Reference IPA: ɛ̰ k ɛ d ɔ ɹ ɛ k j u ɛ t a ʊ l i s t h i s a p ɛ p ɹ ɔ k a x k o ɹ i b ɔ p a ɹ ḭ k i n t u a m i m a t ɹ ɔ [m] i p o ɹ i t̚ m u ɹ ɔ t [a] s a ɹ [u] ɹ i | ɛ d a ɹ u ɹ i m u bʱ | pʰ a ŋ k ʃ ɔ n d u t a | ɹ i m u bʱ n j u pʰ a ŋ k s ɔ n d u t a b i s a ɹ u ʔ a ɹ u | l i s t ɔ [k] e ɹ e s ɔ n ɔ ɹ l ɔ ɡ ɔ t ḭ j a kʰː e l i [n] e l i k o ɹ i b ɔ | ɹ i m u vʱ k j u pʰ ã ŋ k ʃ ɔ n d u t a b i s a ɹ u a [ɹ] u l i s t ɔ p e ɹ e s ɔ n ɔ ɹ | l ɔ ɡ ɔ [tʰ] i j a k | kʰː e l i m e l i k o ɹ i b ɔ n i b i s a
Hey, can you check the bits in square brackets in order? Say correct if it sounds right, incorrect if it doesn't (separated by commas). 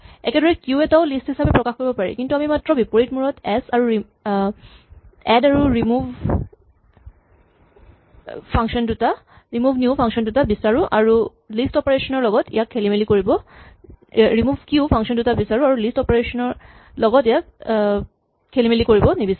incorrect, incorrect, correct, incorrect, incorrect, correct, incorrect